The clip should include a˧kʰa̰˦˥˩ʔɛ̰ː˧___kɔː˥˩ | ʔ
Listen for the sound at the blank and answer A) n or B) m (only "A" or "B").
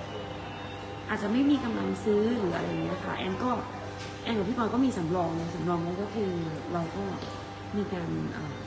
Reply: A